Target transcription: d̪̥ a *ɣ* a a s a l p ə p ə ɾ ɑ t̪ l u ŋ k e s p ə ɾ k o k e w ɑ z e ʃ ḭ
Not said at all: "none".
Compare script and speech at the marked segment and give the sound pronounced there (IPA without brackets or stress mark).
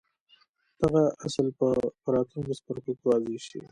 ɣ